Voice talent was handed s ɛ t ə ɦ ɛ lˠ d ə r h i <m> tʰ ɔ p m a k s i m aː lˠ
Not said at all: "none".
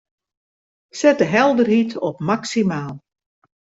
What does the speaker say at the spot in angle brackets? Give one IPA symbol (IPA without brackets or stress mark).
none